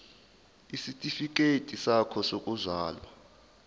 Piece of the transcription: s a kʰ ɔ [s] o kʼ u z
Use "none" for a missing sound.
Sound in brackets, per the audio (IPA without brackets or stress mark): s